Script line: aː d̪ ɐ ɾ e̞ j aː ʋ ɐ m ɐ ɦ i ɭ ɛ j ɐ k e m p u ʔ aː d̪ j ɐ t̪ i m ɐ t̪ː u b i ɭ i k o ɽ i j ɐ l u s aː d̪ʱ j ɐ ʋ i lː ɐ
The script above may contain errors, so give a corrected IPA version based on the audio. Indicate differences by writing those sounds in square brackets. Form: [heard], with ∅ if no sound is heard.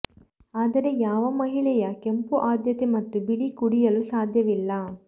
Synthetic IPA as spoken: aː d̪ ɐ ɾ e̞ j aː ʋ ɐ m ɐ ɦ i ɭ ɛ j ɐ k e m p u ʔ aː d̪ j ɐ t̪ [e] m ɐ t̪ː u b i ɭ i k [u] ɽ i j ɐ l u s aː d̪ʱ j ɐ ʋ i lː ɐ